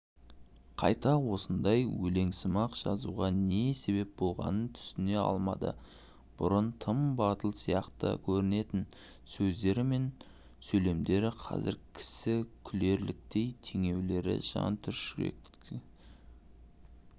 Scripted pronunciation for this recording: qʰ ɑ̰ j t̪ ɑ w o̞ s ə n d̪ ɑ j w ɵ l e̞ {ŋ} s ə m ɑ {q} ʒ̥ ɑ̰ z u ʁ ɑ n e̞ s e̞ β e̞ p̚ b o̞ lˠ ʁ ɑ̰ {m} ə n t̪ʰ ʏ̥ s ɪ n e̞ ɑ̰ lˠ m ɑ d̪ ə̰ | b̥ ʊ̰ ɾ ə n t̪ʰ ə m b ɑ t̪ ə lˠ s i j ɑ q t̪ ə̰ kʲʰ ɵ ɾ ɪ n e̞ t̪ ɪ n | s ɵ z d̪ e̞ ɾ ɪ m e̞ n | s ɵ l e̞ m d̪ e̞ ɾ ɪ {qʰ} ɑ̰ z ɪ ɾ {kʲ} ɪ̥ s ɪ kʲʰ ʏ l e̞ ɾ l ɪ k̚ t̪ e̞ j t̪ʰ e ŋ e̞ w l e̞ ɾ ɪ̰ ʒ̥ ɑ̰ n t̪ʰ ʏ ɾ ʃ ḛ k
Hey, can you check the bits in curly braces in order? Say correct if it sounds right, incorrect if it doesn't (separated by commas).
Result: correct, correct, incorrect, correct, incorrect